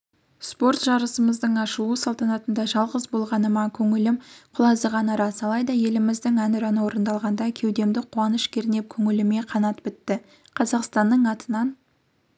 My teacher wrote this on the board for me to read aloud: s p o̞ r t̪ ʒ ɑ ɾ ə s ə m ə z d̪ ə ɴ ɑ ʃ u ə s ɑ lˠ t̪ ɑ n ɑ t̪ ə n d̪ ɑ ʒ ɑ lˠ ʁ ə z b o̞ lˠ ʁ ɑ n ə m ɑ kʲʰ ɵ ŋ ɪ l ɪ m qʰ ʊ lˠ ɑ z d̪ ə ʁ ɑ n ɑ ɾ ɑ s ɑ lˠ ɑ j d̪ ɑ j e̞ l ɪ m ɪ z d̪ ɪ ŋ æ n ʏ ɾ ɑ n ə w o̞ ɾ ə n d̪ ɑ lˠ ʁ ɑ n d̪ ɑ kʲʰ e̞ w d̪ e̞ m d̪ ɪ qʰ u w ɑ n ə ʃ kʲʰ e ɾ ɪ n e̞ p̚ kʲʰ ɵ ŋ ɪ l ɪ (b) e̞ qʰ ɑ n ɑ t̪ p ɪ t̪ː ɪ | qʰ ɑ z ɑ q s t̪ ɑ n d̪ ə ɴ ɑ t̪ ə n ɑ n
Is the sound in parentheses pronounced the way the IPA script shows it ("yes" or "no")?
no